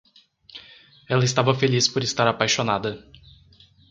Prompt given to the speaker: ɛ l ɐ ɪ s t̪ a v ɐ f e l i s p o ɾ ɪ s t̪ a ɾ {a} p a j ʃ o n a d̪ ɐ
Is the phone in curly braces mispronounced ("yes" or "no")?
no